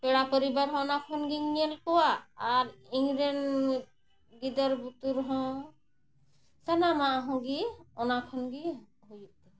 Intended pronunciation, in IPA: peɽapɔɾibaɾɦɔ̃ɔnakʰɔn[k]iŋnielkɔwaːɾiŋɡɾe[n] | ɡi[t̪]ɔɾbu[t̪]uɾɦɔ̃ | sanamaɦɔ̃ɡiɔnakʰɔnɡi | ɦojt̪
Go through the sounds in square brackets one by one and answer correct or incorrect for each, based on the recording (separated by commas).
incorrect, correct, incorrect, correct